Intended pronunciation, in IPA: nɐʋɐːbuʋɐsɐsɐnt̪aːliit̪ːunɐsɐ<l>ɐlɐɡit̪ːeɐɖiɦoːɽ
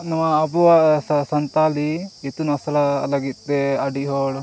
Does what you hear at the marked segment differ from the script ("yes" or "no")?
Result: no